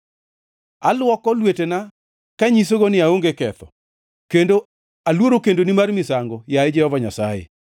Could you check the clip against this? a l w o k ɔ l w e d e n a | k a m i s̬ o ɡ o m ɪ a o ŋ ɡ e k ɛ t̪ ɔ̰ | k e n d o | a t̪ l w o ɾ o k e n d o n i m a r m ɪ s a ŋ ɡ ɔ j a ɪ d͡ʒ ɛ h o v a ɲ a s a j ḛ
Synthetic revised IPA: a l w ɔ k ɔ l w e t e n a | k a ɲ i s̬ o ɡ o n ɪ a o ŋ ɡ e k ɛ t̪ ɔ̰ | k e n d o | a l w o ɾ o k e n d o n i m a r m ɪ s a ŋ ɡ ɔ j a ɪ d͡ʒ ɛ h ɔ v a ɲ a s a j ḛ